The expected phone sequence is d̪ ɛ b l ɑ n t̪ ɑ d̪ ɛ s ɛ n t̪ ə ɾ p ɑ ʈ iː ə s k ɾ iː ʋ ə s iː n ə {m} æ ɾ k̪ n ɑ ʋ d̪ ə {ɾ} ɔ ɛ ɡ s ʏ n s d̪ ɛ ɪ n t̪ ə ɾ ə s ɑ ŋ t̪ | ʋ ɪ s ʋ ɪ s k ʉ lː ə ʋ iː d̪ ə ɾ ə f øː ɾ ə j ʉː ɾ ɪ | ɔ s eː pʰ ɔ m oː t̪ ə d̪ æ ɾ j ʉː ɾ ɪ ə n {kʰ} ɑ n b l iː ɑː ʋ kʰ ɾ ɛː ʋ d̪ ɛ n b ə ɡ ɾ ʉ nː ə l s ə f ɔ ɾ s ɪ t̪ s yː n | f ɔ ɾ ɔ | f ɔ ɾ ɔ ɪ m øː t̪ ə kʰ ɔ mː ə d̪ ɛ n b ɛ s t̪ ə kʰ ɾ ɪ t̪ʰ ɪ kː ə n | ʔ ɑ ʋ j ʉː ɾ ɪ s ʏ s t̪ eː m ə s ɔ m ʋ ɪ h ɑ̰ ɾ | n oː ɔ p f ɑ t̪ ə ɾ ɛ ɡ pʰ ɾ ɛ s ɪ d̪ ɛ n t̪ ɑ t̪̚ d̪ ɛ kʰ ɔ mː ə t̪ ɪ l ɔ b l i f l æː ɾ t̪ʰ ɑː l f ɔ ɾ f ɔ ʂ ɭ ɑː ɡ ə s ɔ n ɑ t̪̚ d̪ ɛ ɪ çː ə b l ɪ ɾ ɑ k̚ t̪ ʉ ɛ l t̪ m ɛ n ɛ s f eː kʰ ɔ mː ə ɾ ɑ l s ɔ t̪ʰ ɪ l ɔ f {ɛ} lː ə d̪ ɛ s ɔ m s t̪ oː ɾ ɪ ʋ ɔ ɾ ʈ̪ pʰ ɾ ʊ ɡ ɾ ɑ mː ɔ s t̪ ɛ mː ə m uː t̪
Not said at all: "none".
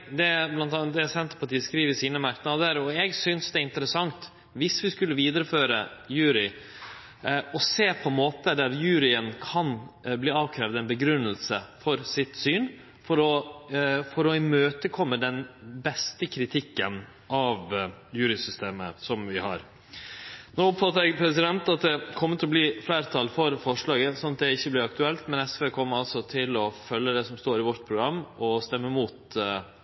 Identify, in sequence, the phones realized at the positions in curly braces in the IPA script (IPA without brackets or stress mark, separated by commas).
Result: m, ɾ, kʰ, œ